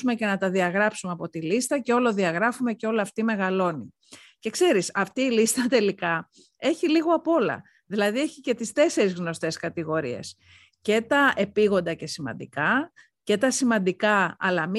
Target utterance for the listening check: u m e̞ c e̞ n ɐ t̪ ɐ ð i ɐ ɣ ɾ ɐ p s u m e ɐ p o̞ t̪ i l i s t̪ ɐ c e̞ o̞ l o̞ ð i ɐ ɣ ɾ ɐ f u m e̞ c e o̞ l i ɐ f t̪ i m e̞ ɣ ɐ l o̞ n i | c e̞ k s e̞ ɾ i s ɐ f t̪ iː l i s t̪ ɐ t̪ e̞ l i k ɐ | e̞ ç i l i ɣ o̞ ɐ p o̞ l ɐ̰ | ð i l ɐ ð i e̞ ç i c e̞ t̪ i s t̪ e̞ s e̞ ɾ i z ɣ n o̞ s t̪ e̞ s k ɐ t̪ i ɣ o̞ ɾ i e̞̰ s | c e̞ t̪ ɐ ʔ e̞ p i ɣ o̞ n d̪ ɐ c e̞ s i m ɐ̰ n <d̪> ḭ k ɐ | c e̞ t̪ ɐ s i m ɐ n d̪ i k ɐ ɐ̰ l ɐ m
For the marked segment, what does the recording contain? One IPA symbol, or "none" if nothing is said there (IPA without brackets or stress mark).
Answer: d̪